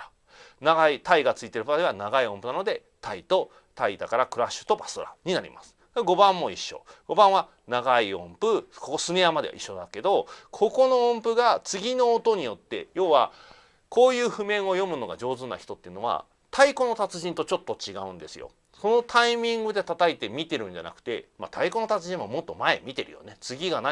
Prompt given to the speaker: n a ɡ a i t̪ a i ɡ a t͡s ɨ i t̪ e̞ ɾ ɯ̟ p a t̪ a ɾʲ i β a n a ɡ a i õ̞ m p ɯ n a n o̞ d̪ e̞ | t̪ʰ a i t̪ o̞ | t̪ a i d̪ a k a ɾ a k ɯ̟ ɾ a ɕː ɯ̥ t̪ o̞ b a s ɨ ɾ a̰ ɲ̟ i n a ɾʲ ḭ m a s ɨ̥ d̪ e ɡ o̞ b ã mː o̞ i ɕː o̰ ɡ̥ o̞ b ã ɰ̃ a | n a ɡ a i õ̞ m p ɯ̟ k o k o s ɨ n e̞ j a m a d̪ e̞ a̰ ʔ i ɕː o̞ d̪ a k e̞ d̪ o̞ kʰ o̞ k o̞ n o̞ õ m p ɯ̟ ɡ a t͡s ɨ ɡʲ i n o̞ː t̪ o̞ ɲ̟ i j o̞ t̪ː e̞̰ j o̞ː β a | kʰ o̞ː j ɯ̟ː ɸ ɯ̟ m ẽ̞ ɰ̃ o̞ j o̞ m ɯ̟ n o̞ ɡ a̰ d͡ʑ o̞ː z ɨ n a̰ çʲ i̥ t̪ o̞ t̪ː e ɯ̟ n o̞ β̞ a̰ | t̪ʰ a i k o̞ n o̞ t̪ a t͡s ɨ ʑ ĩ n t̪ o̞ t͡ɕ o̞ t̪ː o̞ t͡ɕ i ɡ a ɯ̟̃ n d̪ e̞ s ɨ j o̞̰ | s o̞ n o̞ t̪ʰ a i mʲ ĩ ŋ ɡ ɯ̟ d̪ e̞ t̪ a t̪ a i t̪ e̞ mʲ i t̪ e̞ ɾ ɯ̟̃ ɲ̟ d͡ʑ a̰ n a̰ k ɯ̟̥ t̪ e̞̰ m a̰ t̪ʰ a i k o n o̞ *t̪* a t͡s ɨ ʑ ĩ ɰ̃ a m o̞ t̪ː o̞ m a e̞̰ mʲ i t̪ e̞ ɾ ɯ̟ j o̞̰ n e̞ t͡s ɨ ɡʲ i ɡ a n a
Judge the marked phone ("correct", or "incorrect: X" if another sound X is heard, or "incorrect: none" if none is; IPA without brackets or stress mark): correct